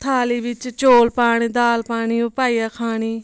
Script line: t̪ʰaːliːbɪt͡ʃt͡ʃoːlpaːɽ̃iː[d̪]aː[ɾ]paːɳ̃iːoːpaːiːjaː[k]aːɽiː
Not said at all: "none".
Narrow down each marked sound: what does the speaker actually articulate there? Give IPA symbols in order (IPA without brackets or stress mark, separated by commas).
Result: d̪, l, kʰ